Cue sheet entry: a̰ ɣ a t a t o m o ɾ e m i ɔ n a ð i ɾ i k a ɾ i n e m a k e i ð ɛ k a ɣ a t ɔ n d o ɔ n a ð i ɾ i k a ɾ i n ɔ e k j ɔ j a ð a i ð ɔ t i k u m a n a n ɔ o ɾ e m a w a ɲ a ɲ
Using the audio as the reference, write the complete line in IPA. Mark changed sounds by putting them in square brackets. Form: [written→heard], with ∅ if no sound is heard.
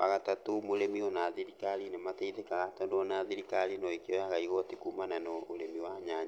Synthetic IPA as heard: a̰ ɣ a t a t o m o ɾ e m i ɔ n a ð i ɾ i k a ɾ i n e m a [k→t] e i ð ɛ k a ɣ a t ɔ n d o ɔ n a ð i ɾ i k a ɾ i n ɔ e k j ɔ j a [ð→ɣ] a i [ð→ɣ] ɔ t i k u m a n a n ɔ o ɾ e m [a→i] w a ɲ a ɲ